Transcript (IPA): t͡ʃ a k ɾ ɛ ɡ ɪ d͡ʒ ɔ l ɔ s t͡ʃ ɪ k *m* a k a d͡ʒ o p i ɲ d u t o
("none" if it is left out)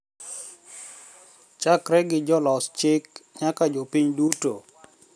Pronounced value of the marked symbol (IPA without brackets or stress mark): ɲ